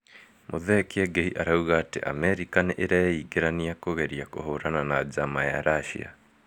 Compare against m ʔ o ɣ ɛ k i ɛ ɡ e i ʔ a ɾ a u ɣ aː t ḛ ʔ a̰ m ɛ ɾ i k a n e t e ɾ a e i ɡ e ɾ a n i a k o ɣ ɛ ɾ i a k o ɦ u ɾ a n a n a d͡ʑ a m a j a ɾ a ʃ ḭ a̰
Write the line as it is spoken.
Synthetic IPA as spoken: m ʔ o ð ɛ k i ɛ ɡ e i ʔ a ɾ a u ɣ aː t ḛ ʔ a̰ m ɛ ɾ i k a n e ʔ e ɾ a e i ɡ e ɾ a n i a k o ɣ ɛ ɾ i a k o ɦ o ɾ a n a n a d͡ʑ a m a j a ɾ a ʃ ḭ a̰